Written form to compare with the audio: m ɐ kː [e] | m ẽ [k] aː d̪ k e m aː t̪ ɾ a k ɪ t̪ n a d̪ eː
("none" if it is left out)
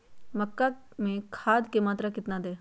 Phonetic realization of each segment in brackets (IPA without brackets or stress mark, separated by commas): a, kʰ